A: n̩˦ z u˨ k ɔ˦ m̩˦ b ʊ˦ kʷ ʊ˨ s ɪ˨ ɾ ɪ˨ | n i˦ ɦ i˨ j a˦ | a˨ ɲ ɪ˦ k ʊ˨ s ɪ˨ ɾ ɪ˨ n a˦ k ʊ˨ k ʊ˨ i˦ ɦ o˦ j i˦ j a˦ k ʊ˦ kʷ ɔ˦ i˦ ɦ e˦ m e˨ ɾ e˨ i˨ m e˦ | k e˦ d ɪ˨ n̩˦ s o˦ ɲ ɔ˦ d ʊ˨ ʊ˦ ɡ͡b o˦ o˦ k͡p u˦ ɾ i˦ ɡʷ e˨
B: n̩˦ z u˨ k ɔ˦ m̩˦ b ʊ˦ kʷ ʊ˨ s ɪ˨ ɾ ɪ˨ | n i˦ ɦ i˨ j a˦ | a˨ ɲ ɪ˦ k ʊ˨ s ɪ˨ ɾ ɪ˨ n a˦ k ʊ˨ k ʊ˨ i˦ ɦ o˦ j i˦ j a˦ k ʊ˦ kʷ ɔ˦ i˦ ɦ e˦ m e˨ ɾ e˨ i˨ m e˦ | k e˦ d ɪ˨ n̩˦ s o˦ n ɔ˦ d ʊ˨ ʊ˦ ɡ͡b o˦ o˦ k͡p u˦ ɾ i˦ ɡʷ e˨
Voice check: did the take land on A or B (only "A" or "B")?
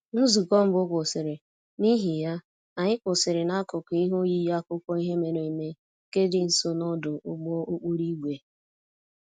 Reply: B